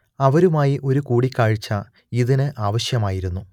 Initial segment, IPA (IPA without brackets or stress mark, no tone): ɐ